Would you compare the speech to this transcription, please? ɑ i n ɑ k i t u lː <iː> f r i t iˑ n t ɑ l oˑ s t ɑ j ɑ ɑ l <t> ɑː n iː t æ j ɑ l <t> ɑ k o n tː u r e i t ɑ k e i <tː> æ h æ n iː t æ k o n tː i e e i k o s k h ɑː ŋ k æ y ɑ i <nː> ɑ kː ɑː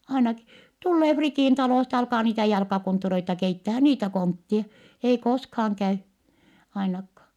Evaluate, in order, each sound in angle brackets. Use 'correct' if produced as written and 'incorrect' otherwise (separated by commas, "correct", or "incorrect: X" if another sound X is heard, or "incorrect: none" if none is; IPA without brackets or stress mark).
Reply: incorrect: eː, incorrect: k, incorrect: k, correct, incorrect: n